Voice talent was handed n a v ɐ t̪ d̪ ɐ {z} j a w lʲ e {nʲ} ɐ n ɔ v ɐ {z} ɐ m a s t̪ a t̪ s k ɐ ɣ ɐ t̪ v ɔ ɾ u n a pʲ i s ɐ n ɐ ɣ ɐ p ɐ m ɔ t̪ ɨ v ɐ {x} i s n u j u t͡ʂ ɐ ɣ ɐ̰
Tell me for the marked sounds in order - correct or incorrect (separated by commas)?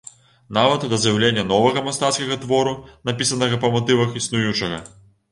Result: correct, incorrect, incorrect, correct